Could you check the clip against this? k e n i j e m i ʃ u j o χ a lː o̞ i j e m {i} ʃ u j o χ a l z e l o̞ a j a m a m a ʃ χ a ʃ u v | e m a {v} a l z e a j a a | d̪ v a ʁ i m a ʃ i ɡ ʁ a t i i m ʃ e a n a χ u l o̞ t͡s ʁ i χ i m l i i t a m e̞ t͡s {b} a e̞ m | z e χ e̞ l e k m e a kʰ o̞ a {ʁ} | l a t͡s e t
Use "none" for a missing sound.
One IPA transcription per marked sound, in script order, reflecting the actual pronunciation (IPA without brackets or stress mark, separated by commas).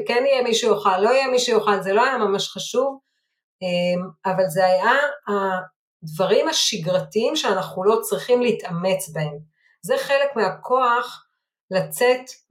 i, v, b, χ